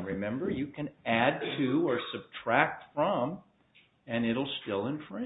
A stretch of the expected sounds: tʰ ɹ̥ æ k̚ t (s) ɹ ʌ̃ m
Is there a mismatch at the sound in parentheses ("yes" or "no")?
yes